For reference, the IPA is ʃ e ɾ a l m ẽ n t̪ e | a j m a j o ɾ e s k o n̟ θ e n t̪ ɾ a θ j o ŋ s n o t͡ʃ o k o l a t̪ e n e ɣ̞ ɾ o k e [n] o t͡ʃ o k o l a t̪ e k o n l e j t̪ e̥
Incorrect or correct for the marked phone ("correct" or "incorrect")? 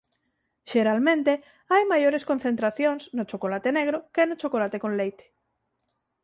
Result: correct